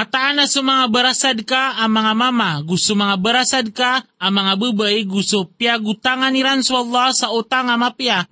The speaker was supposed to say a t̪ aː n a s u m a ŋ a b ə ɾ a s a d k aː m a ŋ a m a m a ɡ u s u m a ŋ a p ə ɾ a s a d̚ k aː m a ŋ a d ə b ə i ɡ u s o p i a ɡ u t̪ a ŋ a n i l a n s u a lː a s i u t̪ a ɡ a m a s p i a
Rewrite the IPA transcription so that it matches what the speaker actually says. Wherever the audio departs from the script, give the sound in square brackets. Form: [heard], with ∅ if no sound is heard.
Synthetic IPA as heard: a t̪ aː n a s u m a ŋ a b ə ɾ a s a d k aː m a ŋ a m a m a ɡ u s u m a ŋ a [b] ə ɾ a s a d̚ k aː m a ŋ a [b] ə b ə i ɡ u s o p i a ɡ u t̪ a ŋ a n i [ɾ] a n s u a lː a s [a] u t̪ a [ŋ] a m a [∅] p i a